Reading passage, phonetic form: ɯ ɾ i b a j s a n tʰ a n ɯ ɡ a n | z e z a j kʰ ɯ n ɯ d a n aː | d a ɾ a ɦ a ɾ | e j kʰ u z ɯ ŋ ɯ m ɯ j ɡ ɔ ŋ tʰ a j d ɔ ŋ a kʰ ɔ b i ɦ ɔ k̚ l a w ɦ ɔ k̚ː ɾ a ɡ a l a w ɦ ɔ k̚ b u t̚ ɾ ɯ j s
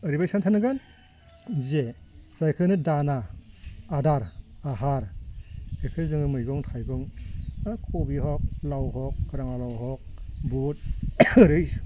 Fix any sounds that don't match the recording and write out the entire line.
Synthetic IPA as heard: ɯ ɾ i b a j s a n tʰ a n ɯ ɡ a n | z e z a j kʰ ɯ n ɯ d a n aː | d a ɾ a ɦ a ɾ | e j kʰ ɯ z ɯ ŋ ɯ m ɯ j ɡ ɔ ŋ tʰ a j ɡ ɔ ŋ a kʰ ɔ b i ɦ ɔ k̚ l a w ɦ ɔ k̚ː ɾ a ŋ a l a w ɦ ɔ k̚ b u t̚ ɾ ɯ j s